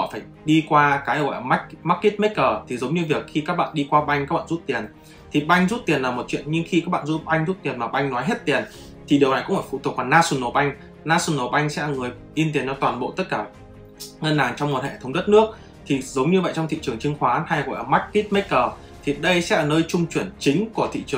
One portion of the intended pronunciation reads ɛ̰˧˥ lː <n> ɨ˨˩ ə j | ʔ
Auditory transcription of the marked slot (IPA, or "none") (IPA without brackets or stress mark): ŋ